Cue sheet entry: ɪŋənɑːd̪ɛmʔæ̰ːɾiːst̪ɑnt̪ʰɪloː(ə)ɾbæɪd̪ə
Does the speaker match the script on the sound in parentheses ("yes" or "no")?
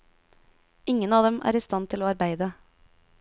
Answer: no